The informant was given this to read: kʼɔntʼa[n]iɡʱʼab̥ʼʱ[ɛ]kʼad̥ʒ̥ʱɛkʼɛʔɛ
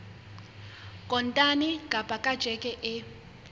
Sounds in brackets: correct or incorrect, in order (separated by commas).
correct, incorrect